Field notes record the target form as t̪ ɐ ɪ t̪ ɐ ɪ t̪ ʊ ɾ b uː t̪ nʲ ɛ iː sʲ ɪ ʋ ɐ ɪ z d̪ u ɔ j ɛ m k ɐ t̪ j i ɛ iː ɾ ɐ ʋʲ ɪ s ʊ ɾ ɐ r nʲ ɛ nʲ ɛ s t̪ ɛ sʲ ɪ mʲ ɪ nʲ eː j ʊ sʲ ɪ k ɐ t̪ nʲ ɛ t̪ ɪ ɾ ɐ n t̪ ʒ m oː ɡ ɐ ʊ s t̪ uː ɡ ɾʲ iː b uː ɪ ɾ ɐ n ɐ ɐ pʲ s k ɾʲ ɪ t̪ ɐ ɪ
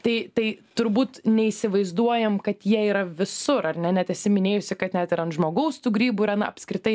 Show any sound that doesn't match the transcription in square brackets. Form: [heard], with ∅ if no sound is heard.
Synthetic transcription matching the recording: t̪ ɐ ɪ t̪ ɐ ɪ t̪ ʊ ɾ b uː t̪ nʲ ɛ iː sʲ ɪ ʋ ɐ ɪ z d̪ u ɔ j ɛ m k ɐ t̪ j i ɛ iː ɾ ɐ ʋʲ ɪ s ʊ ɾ ɐ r nʲ ɛ nʲ ɛ [∅] t̪ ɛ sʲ ɪ mʲ ɪ nʲ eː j ʊ sʲ ɪ k ɐ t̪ nʲ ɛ t̪ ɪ ɾ ɐ n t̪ ʒ m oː ɡ ɐ ʊ s t̪ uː ɡ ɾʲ iː b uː ɪ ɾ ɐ n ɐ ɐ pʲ s k ɾʲ ɪ t̪ ɐ ɪ